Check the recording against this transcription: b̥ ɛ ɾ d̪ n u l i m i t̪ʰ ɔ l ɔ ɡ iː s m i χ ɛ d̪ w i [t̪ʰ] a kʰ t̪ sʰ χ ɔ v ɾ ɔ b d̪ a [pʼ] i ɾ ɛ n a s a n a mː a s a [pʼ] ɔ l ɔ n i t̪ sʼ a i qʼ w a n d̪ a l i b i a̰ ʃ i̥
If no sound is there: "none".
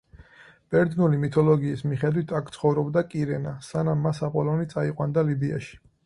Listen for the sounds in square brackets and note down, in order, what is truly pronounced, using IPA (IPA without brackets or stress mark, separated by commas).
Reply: t̪ʰ, kʼ, pʼ